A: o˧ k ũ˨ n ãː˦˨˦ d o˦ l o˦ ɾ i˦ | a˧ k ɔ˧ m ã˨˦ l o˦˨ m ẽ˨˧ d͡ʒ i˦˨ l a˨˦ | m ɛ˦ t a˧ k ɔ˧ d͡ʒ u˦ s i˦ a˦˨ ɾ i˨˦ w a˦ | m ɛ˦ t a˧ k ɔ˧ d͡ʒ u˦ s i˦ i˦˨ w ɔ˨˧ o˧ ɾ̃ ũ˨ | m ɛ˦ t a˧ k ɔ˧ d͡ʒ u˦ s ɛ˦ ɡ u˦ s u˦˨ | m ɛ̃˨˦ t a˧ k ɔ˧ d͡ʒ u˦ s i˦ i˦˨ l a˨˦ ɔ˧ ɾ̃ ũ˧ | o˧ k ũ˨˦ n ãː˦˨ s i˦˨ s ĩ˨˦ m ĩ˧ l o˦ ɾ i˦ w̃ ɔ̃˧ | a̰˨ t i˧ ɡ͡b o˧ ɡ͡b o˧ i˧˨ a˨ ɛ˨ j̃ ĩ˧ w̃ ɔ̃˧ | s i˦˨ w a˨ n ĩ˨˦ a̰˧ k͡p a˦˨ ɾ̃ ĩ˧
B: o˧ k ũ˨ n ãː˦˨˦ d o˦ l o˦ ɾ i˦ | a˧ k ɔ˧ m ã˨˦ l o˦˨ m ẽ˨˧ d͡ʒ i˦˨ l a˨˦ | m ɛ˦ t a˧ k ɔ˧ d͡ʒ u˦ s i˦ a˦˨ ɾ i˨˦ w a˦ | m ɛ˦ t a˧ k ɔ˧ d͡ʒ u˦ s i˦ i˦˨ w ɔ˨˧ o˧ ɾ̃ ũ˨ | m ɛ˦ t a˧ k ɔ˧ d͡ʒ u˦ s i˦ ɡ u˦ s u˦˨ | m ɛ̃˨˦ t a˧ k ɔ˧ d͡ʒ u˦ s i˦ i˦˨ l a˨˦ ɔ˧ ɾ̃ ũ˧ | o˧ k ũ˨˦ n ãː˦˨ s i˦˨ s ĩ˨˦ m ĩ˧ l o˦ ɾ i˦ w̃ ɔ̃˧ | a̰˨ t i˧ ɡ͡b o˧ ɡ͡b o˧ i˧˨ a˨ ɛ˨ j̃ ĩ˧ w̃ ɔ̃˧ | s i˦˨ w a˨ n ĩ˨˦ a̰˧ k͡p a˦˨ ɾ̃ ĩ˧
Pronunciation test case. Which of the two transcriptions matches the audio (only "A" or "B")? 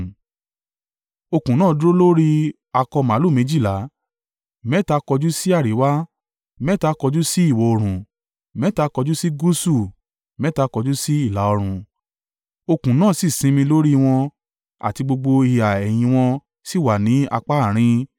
B